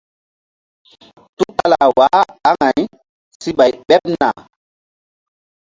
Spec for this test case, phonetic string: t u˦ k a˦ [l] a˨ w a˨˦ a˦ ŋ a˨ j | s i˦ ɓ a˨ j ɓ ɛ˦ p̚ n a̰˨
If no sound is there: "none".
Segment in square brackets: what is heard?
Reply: l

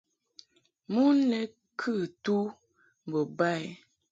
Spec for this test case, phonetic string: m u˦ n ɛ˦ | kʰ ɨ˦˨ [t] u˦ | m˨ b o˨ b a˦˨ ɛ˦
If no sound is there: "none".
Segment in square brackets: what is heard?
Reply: t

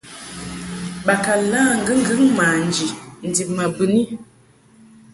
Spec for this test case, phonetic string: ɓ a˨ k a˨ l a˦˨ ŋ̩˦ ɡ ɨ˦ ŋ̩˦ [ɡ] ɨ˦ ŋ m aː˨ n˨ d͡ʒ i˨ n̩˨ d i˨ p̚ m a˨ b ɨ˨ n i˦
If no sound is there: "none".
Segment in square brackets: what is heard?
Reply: ɡ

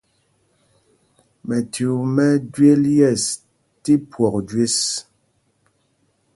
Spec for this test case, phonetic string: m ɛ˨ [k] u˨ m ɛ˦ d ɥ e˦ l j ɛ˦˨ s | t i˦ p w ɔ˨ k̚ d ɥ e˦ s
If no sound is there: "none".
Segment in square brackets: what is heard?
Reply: t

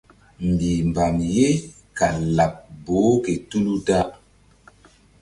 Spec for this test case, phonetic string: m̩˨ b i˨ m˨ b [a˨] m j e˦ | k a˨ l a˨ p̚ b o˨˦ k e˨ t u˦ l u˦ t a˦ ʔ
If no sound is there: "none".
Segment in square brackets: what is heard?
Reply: a˨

